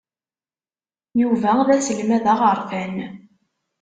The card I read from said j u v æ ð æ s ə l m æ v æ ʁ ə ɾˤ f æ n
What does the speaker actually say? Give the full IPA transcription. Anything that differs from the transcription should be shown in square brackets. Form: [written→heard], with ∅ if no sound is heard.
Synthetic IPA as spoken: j u v æ ð æ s ə l m æ [v→ð] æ ʁ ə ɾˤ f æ n